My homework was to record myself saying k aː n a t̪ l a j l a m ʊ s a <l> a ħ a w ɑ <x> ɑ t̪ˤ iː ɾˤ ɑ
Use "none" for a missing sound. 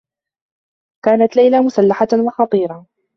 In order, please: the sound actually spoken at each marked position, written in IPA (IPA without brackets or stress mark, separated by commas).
lː, x